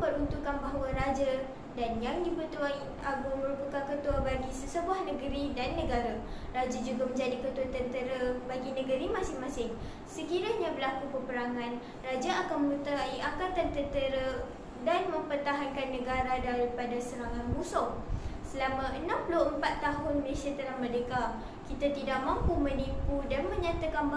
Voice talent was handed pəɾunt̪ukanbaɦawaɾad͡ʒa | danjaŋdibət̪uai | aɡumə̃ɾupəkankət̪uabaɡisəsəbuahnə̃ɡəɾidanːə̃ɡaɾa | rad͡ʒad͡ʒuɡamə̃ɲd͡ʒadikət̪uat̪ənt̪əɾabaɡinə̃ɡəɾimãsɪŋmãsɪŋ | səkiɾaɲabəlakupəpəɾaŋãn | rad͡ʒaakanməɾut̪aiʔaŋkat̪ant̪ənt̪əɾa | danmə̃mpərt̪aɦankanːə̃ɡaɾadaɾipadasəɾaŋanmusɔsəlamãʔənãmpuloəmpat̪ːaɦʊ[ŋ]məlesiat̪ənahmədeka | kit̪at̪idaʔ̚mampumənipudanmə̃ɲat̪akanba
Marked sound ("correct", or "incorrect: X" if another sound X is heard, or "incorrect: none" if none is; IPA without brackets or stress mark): incorrect: n